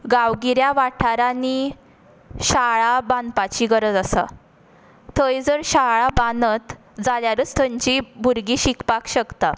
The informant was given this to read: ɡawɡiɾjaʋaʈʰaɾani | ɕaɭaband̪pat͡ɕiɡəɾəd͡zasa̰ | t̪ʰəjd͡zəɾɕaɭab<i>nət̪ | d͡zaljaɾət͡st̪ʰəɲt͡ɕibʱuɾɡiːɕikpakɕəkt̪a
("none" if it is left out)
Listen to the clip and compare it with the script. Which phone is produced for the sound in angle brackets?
a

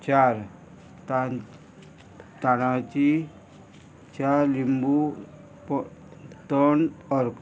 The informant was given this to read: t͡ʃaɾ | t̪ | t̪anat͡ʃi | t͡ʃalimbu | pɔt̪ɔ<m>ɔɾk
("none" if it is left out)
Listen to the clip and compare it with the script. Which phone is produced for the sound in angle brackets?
n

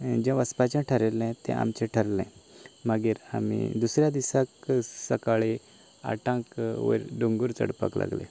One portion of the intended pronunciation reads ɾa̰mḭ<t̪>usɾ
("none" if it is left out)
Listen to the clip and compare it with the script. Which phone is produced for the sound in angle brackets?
d̪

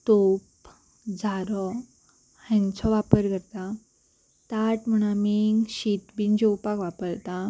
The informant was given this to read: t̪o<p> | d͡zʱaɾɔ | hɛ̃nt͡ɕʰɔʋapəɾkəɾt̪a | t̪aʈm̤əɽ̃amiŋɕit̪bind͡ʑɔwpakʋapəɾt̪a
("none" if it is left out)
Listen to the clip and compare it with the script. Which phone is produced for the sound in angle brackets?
p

